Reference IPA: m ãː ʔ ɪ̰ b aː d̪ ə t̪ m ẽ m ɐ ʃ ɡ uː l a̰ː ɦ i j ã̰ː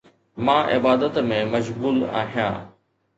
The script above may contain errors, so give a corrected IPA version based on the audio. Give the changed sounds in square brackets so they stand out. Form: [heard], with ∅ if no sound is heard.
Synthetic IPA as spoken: m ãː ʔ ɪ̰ b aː d̪ ə t̪ m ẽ m ɐ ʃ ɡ uː l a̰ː ɦ i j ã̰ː